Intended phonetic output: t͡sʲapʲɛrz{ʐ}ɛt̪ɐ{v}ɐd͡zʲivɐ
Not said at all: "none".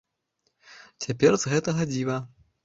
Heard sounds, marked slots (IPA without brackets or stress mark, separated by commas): ɣ, ɣ